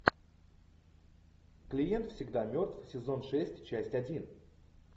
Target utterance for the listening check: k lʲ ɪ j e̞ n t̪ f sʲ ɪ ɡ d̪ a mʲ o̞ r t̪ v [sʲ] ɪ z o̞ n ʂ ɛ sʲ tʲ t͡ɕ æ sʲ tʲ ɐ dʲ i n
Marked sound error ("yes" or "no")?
no